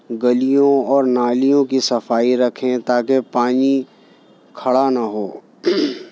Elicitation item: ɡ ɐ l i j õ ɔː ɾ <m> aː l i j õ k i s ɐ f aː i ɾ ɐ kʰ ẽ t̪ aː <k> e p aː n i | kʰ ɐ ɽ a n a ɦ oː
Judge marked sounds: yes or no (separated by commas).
no, yes